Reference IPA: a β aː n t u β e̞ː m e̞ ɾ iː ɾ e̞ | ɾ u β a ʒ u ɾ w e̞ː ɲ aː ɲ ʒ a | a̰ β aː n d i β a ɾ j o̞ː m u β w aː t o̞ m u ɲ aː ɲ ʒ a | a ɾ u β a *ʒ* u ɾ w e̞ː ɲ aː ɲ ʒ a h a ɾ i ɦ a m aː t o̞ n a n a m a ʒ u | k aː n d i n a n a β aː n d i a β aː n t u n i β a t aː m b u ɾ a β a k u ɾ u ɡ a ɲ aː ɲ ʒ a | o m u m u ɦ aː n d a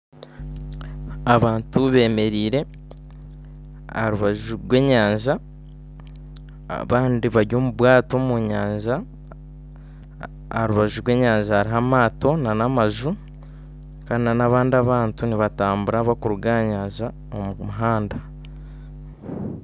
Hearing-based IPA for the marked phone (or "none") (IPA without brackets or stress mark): ʒ